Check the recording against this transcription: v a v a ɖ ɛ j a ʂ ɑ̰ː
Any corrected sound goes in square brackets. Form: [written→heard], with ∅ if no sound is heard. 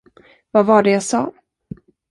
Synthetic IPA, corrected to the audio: v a v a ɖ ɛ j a [ʂ→s] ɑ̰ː